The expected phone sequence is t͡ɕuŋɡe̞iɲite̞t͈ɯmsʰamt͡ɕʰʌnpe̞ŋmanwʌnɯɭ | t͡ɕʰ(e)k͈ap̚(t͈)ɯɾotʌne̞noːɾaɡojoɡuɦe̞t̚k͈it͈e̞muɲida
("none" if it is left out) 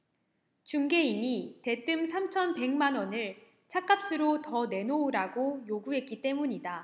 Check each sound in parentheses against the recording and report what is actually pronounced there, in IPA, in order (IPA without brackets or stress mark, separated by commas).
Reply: a, s͈